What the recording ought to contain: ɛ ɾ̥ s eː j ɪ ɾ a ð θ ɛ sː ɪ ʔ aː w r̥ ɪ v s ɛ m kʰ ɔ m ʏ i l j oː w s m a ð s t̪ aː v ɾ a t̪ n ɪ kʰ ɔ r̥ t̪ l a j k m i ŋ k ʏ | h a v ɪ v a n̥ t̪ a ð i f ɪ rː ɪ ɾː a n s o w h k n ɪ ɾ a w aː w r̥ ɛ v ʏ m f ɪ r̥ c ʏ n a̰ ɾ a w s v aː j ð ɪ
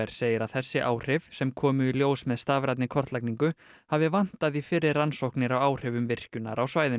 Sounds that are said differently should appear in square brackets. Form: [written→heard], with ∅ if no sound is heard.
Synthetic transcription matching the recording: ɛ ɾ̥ s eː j ɪ ɾ a ð θ ɛ sː ɪ ʔ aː w r̥ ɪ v s ɛ m kʰ [ɔ→ɔː] m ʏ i l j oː w s m [a→ɛ] ð s t̪ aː v ɾ a t̪ n ɪ kʰ ɔ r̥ t̪ l a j k [m→n] i ŋ k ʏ | h a v ɪ v a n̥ t̪ a ð i f ɪ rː ɪ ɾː a n s o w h k n ɪ ɾ a w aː w r̥ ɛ v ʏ m [f→v] ɪ r̥ c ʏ n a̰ ɾ a w s v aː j ð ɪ